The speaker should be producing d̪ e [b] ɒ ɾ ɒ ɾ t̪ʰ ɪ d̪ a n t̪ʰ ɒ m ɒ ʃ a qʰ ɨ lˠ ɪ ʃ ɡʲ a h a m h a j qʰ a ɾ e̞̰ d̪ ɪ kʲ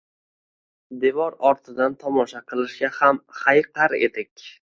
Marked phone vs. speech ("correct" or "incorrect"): incorrect